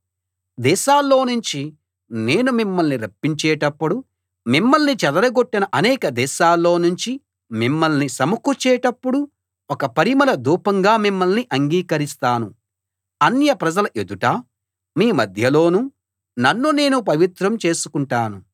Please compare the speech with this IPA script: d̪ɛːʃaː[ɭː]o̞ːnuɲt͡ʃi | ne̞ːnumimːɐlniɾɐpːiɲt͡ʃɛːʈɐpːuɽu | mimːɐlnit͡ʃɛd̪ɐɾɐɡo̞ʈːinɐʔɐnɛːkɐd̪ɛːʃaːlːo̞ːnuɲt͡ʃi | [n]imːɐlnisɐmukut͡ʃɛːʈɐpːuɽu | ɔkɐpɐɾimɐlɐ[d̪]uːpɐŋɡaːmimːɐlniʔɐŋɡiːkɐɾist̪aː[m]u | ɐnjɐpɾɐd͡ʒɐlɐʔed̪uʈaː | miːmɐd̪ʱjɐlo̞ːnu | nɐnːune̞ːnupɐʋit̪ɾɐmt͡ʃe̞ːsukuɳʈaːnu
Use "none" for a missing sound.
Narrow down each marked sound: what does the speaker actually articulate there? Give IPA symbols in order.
lː, m, d̪, n

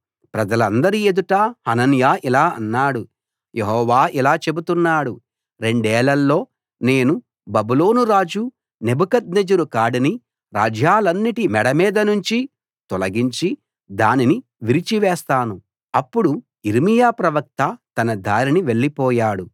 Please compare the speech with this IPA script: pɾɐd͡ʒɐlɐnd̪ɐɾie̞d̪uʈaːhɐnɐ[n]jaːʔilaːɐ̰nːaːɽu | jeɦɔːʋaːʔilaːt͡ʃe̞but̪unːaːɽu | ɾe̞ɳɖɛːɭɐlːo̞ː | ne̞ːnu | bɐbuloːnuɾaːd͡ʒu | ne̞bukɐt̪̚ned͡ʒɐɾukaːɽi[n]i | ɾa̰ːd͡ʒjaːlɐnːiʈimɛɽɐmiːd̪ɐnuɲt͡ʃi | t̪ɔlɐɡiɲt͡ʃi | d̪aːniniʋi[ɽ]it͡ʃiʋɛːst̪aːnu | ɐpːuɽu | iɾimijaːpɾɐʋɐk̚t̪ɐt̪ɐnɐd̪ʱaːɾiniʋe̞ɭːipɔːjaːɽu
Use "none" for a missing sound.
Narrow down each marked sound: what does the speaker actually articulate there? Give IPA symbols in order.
n, n, ɾ

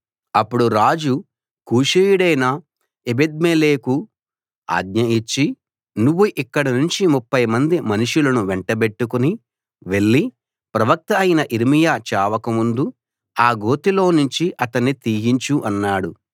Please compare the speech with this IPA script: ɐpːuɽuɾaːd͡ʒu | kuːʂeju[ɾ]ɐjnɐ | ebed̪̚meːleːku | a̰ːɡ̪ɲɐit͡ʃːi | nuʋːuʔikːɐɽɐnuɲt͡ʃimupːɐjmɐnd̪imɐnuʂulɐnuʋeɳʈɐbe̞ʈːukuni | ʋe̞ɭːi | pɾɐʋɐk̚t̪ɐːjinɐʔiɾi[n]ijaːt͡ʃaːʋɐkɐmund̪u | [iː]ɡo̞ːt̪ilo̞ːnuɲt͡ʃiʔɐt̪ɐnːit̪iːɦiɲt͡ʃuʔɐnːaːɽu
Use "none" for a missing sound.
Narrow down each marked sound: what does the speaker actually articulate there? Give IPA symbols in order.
ɽ, m, aː

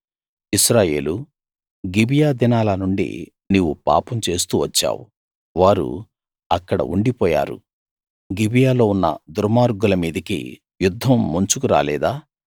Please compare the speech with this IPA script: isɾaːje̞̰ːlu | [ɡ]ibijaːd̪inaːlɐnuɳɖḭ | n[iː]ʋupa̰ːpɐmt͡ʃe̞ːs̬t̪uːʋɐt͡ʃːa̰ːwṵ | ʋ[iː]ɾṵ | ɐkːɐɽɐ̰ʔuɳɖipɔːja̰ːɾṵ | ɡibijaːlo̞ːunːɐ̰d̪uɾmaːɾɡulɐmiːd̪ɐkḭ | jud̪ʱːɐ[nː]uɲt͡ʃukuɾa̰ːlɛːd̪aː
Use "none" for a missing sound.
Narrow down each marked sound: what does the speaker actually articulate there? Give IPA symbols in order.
ɡ, iː, aː, mː

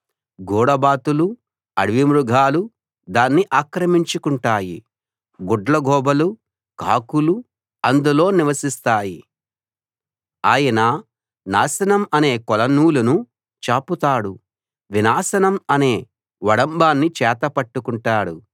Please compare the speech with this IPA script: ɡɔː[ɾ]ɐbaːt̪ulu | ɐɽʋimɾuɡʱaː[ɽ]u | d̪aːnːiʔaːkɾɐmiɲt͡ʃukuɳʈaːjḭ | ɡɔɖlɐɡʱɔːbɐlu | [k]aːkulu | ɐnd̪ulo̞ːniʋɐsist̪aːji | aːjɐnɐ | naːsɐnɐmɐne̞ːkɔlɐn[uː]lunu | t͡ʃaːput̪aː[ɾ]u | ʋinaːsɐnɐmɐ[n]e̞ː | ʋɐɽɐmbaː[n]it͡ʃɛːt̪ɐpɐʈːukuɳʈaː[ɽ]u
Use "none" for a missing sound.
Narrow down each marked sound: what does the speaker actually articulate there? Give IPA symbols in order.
ɽ, l, k, uː, ɽ, n, nː, ɽ

